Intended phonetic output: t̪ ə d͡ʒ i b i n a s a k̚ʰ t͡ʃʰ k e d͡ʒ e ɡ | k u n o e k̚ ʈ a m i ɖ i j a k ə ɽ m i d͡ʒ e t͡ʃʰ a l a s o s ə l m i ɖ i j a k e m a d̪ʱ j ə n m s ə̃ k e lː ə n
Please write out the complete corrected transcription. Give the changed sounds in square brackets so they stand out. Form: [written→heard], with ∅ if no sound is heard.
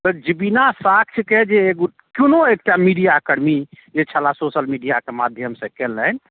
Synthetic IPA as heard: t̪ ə d͡ʒ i b i n a s a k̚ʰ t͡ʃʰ k e d͡ʒ e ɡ | k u n o e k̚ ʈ a m i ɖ i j a k ə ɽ m i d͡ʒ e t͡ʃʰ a l a s o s ə l m i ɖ i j a k e m a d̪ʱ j ə [n→∅] m s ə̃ k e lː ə n